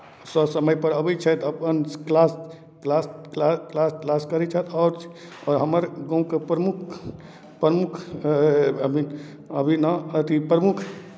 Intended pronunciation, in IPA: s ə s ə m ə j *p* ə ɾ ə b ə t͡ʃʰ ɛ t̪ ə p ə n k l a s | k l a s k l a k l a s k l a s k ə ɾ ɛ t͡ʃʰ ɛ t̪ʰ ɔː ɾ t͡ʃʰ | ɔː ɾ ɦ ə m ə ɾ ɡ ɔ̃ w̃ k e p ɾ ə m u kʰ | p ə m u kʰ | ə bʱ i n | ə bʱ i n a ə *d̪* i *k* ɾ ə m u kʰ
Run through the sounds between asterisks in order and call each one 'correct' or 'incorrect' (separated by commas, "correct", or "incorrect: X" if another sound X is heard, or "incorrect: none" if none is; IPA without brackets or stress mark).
correct, incorrect: t̪, incorrect: p